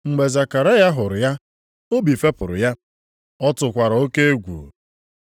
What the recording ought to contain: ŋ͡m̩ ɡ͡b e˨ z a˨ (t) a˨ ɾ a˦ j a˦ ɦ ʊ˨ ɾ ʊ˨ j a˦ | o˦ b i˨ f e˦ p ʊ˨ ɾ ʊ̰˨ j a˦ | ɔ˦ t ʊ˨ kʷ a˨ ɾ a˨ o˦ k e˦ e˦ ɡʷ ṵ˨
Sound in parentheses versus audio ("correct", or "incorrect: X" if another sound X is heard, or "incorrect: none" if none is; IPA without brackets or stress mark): incorrect: k